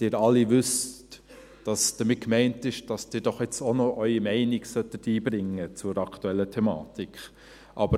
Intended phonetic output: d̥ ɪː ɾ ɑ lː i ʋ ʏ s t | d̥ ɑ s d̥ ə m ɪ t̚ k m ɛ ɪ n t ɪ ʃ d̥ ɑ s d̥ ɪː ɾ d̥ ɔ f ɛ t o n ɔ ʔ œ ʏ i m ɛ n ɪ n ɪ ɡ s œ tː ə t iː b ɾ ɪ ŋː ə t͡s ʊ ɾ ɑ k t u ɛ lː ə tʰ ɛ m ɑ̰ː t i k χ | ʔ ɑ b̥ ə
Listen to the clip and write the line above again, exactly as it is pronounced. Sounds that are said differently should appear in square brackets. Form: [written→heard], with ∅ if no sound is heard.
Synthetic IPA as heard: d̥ ɪː ɾ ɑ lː i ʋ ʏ s t | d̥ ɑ s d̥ ə m ɪ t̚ k m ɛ ɪ n t ɪ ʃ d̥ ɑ s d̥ ɪː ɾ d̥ ɔ [f→χ] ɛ [t→t͡s] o n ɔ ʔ œ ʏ i m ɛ [n→∅] ɪ n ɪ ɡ s œ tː ə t iː b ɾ ɪ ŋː ə t͡s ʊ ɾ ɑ k t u ɛ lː ə tʰ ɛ m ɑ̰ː t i k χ | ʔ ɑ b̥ ə

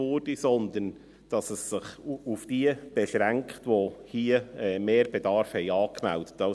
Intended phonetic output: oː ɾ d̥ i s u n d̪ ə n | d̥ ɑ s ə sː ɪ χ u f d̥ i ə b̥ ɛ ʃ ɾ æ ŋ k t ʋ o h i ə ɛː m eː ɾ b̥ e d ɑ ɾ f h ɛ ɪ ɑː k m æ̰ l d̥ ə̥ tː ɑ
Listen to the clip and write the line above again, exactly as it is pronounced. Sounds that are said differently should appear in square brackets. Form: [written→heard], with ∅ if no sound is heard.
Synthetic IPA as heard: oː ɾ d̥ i s [u→ɔ] n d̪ ə n | d̥ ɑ s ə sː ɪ χ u f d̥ i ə b̥ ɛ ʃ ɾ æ ŋ k t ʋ o h i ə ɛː m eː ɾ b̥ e d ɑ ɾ f h ɛ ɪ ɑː k m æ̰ l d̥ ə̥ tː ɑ

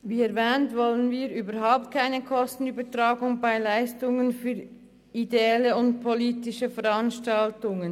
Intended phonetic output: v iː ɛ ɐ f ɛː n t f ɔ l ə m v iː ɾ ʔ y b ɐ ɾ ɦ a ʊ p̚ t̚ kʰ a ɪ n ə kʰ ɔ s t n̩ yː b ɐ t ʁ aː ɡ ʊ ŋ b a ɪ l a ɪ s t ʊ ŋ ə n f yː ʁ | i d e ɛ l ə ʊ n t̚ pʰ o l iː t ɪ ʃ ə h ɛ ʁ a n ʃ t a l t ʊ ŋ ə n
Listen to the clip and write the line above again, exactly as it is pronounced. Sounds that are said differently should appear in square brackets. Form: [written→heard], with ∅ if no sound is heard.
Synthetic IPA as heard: v iː ɛ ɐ [f→v] ɛː n t [f→v] ɔ l ə [m→n] v iː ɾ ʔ [y→yː] b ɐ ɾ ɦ a ʊ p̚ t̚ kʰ a ɪ n ə kʰ ɔ s t n̩ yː b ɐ t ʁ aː ɡ ʊ ŋ b a ɪ l a ɪ s t ʊ ŋ ə n f yː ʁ | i d e ɛ l ə ʊ n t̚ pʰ o l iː t ɪ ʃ ə [h→f] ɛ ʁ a n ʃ t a l t ʊ ŋ ə n

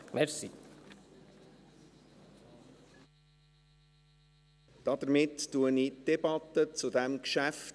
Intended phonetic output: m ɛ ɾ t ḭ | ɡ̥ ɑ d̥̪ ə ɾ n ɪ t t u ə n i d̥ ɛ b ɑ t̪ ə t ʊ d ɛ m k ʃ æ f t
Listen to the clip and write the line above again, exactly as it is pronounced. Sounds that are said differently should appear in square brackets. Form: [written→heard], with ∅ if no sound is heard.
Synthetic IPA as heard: m ɛ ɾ [t→s] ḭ | [ɡ̥→d̥] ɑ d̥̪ ə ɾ [n→m] ɪ t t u ə n i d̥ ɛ b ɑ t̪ ə [t→t͡s] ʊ d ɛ m k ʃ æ f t

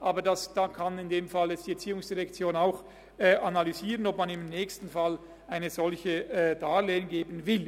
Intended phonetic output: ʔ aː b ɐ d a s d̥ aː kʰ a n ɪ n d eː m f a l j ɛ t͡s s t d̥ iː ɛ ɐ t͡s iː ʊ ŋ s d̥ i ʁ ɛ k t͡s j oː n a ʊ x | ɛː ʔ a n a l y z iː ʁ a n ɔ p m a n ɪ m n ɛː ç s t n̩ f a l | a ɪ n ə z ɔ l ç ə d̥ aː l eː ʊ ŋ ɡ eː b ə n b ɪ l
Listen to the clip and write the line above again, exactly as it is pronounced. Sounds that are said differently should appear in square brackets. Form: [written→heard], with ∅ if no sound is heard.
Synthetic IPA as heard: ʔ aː b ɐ d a s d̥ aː kʰ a n ɪ n d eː m f a l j ɛ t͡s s t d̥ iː ɛ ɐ t͡s iː ʊ ŋ s d̥ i ʁ ɛ k t͡s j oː n a ʊ x | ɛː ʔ a n a l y z iː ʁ [a→ə] n ɔ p m a n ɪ m n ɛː ç s t n̩ f a l | a ɪ n ə z ɔ l ç ə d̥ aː l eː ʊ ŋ ɡ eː b ə n [b→v] ɪ l

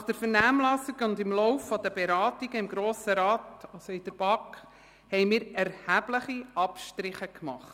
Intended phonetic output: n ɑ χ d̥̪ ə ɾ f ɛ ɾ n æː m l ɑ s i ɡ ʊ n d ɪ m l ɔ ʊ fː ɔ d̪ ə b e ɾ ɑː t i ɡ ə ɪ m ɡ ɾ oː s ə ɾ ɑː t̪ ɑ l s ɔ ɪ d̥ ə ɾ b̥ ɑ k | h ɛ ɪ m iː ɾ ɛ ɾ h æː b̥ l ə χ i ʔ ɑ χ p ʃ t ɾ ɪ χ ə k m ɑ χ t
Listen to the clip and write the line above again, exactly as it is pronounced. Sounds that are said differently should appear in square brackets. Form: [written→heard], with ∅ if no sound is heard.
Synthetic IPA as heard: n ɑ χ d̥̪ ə ɾ f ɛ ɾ n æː m l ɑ s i ɡ ʊ n d ɪ m l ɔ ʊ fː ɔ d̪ ə b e ɾ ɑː t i ɡ ə ɪ m ɡ ɾ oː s ə ɾ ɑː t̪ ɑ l s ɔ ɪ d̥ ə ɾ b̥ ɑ k | h ɛ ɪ m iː ɾ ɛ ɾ h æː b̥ l ə χ i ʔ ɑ [χ→∅] p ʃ t ɾ ɪ χ ə k m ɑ χ t

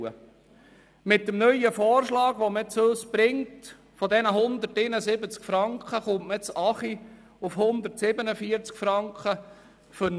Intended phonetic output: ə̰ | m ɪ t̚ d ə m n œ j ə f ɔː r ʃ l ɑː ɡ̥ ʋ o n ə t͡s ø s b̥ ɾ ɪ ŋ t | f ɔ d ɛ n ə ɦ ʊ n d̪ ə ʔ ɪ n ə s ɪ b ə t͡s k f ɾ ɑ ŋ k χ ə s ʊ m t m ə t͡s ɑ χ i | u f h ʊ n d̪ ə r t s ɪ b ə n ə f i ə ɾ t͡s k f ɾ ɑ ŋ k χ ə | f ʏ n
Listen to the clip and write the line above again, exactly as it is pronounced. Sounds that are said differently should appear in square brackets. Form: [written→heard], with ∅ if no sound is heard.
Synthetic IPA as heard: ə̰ | m ɪ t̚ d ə m n œ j ə f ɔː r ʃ l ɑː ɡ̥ ʋ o [n→m] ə t͡s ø s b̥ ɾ ɪ ŋ t | f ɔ d ɛ n ə ɦ ʊ n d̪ ə [ʔ→t] ɪ n ə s ɪ b ə t͡s k f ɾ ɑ ŋ k χ ə [s→χ] ʊ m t m ə t͡s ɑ χ i | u f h ʊ n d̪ ə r t s ɪ b ə n ə f i ə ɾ t͡s k f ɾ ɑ ŋ k χ ə | f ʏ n

